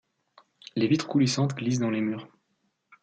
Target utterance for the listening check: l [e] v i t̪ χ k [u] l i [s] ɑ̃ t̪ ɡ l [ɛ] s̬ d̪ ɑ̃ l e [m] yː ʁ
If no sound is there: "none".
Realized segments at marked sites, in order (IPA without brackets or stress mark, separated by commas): e, u, s, i, m